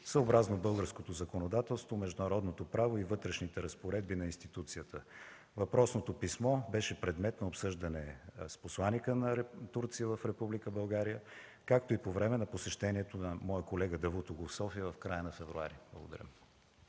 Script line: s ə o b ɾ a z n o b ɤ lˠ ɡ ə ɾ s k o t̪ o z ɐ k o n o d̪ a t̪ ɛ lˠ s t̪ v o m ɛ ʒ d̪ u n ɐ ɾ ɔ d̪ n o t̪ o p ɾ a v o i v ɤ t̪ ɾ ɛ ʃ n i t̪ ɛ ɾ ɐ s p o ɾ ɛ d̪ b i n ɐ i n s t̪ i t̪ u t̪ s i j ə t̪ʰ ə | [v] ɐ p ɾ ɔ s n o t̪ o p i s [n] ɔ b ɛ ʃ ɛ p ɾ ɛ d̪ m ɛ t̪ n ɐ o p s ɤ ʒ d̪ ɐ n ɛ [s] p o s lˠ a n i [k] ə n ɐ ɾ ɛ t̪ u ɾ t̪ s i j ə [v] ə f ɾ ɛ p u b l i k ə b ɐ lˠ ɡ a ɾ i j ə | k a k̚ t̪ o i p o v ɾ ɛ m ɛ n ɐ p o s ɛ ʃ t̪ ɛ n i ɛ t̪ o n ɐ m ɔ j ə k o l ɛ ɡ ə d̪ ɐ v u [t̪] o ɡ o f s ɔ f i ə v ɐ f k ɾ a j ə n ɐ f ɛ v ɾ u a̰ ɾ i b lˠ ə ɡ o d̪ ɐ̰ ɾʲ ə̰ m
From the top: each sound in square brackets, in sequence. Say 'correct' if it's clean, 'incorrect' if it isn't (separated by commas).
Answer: correct, incorrect, correct, correct, correct, correct